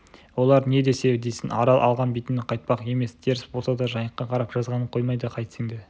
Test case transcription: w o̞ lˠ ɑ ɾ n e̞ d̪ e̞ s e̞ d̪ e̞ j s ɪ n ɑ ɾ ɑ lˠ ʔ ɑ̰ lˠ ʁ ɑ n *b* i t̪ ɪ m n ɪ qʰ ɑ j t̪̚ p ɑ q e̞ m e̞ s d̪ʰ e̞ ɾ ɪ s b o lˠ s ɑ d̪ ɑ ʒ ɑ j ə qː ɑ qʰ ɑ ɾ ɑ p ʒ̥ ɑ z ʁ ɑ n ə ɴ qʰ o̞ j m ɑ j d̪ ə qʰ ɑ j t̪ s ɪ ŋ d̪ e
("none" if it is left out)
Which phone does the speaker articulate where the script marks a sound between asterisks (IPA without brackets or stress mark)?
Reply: b